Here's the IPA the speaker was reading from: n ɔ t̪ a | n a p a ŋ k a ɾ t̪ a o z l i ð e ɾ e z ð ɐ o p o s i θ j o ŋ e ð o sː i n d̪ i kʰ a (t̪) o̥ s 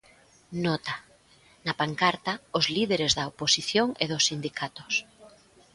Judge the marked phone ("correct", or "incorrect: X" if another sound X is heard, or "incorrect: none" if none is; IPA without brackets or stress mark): correct